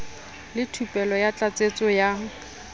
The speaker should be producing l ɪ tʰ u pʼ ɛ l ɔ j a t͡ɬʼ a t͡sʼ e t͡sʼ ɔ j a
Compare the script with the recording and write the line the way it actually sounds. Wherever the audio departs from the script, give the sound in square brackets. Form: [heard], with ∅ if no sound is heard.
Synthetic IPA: l ɪ tʰ u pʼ ɛ l ɔ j a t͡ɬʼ a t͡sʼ e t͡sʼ ɔ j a